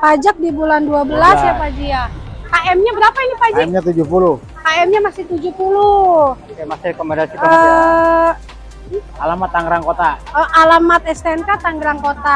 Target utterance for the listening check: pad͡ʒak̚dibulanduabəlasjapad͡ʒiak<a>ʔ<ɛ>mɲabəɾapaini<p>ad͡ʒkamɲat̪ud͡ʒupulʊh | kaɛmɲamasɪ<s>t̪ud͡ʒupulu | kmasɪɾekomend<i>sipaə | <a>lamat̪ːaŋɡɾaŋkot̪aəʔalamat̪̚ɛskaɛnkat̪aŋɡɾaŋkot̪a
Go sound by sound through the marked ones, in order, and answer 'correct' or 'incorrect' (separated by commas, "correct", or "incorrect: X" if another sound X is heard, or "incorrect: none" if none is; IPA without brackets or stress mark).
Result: correct, correct, correct, incorrect: h, incorrect: a, correct